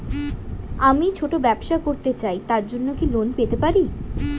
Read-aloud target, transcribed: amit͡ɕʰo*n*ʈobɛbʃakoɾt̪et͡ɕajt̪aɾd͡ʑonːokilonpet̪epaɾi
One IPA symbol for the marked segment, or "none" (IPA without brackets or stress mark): none